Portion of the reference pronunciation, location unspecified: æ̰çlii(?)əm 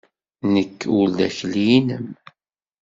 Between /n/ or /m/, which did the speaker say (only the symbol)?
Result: n